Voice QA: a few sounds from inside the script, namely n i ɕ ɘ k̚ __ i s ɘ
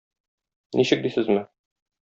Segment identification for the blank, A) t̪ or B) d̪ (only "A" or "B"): B